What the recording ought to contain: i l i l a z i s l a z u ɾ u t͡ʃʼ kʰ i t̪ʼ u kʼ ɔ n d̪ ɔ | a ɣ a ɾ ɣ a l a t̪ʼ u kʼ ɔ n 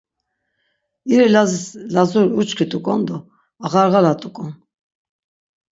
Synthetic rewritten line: i ɾ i l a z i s l a z u ɾ u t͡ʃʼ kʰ i t̪ʼ u kʼ ɔ n d̪ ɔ | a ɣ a ɾ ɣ a l a t̪ʼ u kʼ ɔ n